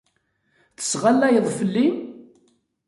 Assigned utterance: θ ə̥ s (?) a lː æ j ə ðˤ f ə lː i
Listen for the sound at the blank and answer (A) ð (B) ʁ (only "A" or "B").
B